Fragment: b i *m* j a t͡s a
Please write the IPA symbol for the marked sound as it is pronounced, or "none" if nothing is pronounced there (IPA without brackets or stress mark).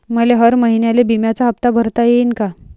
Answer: m